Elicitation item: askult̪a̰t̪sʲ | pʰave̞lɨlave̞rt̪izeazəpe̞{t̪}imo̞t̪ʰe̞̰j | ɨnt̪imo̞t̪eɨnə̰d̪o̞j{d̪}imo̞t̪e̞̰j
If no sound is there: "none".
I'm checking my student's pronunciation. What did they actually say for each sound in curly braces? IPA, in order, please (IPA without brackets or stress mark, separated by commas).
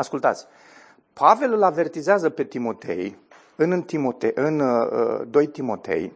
t̪, t̪